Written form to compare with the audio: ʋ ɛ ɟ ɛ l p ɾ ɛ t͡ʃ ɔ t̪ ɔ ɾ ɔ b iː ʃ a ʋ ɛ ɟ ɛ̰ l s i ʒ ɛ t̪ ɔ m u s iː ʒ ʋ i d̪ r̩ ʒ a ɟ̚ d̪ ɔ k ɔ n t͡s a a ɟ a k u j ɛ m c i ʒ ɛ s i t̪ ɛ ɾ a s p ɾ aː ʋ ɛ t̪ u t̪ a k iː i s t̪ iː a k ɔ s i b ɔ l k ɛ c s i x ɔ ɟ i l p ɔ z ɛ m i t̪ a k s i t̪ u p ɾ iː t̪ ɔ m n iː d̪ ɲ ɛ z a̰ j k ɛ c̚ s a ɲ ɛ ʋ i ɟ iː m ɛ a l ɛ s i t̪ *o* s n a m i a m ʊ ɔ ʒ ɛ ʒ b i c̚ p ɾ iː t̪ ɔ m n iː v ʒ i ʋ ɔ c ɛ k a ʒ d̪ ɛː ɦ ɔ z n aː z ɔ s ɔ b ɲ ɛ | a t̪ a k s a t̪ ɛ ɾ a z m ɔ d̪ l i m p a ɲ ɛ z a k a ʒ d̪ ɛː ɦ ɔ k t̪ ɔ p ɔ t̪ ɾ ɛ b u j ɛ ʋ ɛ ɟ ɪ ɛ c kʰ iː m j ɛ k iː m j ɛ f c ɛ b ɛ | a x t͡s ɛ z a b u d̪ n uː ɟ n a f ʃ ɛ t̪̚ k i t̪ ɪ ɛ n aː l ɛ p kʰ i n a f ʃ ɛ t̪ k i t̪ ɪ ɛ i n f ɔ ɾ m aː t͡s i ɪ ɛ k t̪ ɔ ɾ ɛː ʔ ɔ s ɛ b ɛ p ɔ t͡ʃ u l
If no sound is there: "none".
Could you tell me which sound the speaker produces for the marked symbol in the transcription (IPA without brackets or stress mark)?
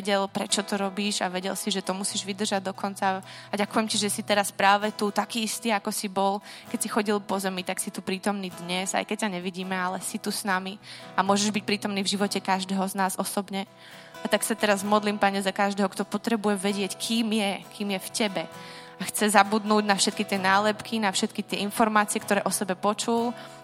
u